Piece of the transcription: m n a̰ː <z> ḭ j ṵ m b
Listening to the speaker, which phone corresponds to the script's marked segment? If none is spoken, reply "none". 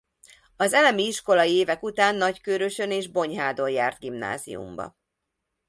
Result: z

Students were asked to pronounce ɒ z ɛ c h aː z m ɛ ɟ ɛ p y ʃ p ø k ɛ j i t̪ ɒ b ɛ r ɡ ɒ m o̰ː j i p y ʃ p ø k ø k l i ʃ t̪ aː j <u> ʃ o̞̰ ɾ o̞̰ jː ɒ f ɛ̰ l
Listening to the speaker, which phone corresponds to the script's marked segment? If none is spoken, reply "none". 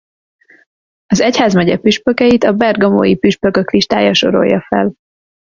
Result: ɒ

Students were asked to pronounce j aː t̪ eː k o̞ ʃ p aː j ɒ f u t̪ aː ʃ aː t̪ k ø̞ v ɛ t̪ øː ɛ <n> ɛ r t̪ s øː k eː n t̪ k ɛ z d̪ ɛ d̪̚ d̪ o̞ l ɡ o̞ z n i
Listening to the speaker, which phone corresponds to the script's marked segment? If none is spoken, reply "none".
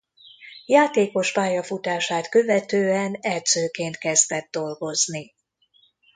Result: n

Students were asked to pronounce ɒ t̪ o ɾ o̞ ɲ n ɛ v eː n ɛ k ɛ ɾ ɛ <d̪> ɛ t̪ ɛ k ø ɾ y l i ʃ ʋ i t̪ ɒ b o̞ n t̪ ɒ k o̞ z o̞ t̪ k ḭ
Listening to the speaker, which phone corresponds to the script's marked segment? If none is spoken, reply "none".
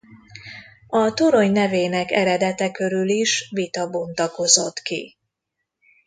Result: d̪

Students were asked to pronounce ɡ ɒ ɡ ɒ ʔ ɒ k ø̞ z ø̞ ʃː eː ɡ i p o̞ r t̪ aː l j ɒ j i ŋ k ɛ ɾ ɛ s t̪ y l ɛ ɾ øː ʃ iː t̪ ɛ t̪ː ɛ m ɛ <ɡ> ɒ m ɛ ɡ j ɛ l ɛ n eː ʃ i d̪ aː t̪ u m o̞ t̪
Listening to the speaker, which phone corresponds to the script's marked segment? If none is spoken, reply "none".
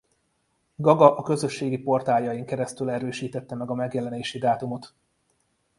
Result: ɡ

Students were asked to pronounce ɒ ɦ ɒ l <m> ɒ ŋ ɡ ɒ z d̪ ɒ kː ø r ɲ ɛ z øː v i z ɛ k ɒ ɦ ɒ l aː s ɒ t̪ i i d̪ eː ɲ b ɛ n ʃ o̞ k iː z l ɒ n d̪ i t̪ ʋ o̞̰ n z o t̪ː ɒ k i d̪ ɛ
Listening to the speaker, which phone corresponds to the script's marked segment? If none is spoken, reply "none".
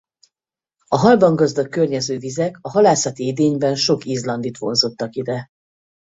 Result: b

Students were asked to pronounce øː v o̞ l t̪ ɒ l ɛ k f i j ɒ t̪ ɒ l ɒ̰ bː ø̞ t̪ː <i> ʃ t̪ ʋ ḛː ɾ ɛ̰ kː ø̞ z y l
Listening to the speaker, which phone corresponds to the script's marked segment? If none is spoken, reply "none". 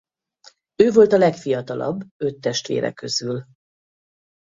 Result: ɛ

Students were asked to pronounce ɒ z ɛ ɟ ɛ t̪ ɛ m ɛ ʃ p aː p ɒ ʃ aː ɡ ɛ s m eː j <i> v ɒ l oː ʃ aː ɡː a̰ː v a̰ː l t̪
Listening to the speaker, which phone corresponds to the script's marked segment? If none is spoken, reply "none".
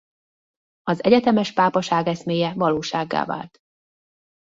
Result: ɛ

